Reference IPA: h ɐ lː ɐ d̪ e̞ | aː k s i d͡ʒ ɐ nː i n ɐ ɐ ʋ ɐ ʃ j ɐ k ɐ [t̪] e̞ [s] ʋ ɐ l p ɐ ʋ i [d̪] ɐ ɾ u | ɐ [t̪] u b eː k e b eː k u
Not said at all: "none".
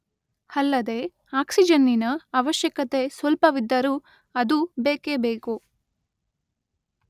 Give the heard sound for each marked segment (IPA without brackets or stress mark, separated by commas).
t̪, s, d̪ː, d̪